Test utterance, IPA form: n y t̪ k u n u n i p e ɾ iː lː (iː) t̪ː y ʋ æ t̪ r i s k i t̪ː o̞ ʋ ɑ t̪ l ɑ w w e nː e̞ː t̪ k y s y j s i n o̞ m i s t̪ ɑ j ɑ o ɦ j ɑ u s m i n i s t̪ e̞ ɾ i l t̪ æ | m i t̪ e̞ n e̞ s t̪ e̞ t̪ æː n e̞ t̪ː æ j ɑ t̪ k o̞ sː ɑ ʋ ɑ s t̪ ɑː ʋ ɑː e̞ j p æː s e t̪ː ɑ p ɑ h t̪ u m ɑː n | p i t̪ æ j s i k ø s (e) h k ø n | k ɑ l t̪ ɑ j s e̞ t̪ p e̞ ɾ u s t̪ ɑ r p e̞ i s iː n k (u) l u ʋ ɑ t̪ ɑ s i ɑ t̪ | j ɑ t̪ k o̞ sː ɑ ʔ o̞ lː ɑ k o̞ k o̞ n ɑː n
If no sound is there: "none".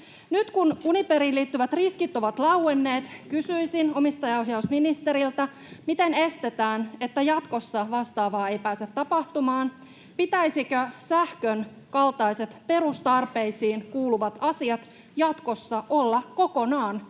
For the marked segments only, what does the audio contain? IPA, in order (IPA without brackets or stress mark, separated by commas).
iː, æ, uː